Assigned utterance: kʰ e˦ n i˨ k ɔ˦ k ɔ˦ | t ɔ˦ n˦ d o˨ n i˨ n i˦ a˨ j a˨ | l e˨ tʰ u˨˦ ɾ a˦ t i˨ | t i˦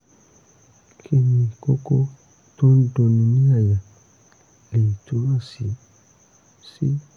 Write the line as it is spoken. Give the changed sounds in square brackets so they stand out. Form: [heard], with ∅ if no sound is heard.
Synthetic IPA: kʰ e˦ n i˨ k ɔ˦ k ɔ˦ | t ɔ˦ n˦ d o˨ n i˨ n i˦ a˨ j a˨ | l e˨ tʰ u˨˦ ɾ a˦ [s] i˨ | [s] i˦